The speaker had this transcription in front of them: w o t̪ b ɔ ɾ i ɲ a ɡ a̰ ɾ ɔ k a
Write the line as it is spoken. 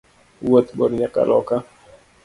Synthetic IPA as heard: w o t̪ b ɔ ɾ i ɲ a k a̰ l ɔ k a